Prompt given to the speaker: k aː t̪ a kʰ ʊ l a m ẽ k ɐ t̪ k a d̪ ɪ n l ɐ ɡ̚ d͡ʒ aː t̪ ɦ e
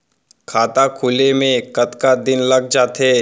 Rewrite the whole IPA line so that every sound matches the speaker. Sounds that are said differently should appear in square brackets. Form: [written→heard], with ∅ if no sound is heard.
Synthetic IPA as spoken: [k→kʰ] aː t̪ a kʰ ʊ l [a→e] m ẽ k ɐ t̪ k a d̪ ɪ n l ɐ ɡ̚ d͡ʒ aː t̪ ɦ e